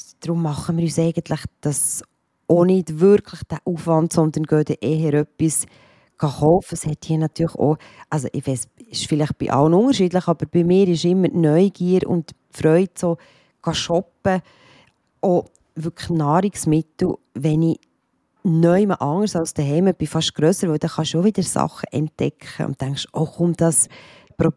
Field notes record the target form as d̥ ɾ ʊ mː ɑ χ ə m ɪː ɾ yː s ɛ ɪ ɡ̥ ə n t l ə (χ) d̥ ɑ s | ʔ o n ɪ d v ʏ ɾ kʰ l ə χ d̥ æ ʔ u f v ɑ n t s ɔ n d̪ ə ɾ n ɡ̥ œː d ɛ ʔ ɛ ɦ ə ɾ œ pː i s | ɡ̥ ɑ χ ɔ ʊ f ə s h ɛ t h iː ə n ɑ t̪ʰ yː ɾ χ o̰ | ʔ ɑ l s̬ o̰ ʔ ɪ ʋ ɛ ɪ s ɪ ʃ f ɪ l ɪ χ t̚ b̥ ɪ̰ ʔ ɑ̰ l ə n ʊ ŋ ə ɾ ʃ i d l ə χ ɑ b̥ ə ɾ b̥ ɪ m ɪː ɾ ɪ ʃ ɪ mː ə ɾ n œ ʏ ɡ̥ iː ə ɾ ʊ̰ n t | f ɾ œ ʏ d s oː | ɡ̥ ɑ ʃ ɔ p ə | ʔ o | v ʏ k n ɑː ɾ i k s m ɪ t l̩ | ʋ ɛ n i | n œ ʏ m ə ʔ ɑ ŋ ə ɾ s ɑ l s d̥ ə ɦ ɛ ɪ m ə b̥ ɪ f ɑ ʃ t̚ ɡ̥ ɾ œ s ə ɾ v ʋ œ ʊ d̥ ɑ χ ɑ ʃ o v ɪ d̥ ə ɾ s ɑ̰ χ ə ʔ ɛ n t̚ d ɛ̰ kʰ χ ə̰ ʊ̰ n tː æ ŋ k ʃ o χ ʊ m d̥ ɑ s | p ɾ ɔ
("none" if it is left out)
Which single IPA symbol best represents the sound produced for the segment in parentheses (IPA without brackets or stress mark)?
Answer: χ